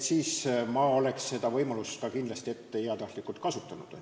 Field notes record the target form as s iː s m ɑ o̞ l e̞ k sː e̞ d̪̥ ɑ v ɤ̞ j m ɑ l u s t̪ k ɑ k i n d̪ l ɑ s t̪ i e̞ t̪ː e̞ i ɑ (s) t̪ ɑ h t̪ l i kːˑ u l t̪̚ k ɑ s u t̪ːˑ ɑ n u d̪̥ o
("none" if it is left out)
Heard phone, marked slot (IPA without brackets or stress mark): none